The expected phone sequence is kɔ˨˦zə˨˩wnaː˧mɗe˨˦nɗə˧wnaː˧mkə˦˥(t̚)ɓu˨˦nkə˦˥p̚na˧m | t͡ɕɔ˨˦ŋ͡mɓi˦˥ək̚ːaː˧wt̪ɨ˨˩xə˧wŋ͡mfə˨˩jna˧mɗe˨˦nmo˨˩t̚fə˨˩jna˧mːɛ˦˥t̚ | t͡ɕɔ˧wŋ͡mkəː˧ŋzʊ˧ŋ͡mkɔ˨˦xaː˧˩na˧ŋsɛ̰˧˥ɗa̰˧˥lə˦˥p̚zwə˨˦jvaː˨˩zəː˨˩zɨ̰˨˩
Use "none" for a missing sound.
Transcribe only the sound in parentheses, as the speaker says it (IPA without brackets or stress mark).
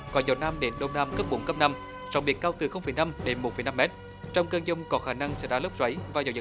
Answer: p̚